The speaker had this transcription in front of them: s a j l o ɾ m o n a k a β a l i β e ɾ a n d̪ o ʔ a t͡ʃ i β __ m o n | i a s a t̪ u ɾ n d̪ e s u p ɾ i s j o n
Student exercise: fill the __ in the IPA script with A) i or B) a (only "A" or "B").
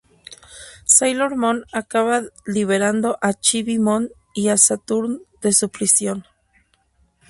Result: A